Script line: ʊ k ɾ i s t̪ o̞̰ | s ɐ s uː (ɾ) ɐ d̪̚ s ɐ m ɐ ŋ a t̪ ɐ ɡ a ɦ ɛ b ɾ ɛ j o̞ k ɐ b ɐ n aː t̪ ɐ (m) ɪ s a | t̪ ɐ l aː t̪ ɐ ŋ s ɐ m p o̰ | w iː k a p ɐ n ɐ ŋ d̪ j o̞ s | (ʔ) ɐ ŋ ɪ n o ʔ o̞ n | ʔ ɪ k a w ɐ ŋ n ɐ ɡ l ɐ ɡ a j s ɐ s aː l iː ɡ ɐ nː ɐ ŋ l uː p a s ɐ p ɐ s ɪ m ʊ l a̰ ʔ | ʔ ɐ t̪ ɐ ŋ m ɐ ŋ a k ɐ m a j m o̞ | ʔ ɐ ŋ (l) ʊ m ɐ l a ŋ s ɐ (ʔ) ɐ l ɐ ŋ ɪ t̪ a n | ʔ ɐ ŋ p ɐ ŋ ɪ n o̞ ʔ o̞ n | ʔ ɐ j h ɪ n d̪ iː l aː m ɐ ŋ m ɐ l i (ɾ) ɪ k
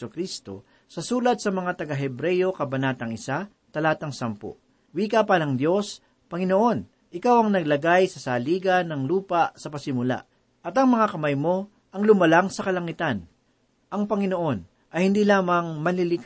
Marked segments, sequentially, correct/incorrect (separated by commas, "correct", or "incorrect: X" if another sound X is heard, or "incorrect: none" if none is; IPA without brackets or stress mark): incorrect: l, incorrect: ŋ, incorrect: p, correct, incorrect: k, incorrect: l